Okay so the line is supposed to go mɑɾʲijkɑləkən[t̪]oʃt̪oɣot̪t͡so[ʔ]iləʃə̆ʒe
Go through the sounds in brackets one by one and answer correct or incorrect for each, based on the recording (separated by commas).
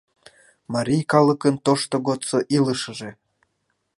correct, correct